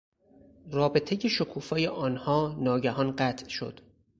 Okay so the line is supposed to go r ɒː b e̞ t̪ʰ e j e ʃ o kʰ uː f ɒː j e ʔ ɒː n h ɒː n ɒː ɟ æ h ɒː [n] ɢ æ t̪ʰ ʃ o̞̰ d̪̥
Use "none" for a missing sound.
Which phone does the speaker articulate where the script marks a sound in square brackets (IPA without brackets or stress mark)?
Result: n